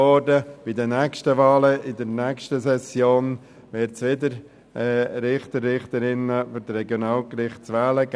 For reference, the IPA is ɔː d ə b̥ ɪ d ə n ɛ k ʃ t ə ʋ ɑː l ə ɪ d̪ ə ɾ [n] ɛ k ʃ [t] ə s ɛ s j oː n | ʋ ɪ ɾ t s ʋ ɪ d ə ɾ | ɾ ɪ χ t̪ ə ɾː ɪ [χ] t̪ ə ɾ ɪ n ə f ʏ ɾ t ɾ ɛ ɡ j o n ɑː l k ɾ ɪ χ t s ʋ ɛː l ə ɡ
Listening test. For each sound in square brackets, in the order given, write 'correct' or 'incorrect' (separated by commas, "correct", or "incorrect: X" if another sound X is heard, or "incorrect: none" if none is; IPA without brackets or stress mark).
correct, correct, correct